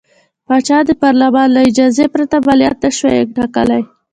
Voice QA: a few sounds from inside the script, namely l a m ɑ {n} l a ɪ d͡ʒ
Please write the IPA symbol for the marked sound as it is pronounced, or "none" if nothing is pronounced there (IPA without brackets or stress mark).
n